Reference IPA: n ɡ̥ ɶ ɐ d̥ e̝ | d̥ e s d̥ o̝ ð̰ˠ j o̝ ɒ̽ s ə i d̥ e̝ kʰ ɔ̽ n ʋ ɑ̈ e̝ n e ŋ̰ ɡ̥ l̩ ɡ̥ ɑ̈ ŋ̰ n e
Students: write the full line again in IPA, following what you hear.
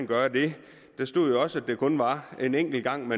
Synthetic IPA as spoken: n ɡ̥ ɶ ɐ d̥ e̝ | d̥ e s d̥ o̝ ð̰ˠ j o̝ ɒ̽ s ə æ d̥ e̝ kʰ ɔ̽ n ʋ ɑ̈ e̝ n e ŋ̰ ɡ̥ l̩ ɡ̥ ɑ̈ ŋ̰ m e